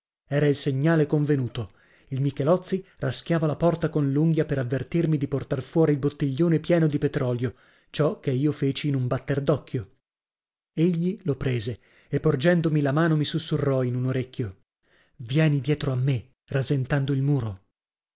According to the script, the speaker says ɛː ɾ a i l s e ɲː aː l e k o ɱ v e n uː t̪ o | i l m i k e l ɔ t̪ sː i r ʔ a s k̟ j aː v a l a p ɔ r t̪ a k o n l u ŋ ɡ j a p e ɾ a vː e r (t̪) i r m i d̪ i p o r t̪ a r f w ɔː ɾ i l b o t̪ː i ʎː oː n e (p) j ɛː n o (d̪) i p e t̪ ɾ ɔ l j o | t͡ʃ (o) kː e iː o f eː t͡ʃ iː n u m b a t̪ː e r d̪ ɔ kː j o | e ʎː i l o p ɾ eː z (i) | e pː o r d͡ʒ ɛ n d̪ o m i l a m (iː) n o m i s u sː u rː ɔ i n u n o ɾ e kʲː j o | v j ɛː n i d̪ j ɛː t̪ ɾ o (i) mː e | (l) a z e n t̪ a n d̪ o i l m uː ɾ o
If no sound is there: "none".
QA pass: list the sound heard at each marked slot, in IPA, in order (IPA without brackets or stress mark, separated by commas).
t̪, p, d̪, ɔ, e, aː, a, r